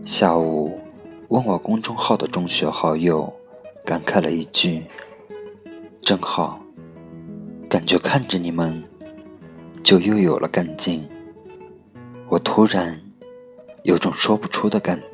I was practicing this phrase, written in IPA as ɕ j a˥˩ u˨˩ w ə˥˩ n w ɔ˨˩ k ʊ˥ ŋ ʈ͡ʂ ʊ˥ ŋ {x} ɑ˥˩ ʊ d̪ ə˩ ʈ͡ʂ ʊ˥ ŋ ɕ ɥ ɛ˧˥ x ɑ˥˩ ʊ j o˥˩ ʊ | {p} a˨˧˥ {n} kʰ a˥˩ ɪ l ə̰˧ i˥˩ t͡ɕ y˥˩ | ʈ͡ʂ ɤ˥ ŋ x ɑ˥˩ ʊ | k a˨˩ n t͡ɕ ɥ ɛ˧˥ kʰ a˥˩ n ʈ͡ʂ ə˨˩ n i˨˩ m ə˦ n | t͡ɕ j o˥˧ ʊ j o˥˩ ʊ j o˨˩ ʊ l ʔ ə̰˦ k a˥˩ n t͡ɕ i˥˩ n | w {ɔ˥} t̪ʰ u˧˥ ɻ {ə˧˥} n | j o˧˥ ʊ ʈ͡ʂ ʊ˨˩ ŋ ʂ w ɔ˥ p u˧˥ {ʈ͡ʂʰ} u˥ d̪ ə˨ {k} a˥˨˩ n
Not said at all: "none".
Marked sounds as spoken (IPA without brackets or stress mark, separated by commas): x, k, n, ɔ˨˩, a˧˥, ʈ͡ʂʰ, k